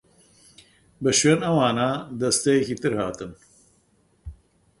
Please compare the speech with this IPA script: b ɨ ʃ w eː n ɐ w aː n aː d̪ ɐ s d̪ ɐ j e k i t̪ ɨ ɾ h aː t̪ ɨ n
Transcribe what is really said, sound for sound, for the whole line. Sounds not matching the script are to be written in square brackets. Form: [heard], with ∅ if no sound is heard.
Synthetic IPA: b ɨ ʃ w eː n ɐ w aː n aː d̪ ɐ s [t̪] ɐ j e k i t̪ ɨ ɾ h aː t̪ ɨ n